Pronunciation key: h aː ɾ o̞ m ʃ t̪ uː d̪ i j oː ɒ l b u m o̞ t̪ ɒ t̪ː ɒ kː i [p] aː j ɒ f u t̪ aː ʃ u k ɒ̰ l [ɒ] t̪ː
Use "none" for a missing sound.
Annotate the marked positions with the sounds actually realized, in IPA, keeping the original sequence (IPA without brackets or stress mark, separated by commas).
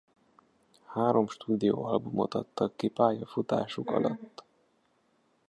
p, ɒ